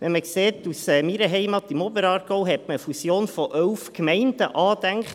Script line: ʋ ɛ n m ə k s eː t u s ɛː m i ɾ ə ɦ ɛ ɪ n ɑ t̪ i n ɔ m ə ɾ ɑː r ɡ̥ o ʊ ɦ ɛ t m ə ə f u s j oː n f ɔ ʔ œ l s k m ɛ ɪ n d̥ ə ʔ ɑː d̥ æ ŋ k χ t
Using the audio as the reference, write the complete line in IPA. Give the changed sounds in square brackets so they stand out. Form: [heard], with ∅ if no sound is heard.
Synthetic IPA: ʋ ɛ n m ə k s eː t u s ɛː m i ɾ ə ɦ ɛ ɪ [m] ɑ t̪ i [m] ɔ [b] ə ɾ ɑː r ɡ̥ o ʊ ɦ ɛ t m ə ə f u s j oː n f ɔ ʔ œ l [f] k m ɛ ɪ n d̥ ə ʔ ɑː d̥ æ ŋ k χ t